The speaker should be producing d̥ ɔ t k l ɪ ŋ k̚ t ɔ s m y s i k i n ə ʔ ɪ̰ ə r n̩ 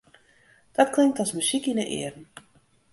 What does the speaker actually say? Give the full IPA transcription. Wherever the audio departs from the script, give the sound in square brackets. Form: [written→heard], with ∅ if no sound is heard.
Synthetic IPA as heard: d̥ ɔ t k l ɪ ŋ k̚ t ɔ s m y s i k i n ə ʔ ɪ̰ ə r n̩